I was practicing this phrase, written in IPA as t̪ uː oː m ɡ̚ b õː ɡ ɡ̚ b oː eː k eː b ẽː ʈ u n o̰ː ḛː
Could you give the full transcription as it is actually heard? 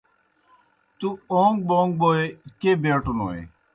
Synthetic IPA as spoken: t̪ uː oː ŋ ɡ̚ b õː ŋ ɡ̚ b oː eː k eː b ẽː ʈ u n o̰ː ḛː